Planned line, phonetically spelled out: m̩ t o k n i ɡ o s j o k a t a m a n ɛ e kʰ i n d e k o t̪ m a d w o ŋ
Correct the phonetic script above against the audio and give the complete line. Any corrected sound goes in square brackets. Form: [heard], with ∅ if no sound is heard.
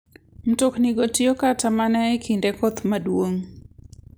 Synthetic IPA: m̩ t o k n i ɡ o [t] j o k a t a m a n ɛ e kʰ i n d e k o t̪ m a d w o ŋ